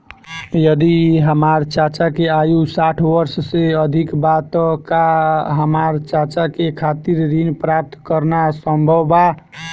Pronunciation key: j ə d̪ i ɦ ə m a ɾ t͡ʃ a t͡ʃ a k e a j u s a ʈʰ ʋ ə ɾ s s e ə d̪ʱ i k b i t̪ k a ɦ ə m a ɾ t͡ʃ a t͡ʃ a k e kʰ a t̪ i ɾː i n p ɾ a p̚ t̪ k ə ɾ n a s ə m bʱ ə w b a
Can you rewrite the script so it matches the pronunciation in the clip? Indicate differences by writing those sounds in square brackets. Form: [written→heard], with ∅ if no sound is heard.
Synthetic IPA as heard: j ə d̪ i ɦ ə m a ɾ t͡ʃ a t͡ʃ a k e a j u s a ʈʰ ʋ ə ɾ s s e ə d̪ʱ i k b [i→a] t̪ k a ɦ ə m a ɾ t͡ʃ a t͡ʃ a k e kʰ a t̪ i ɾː i n p ɾ a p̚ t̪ k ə ɾ n a s ə m bʱ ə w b a